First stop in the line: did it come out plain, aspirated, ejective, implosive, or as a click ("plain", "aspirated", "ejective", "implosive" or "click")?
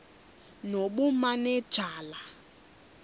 implosive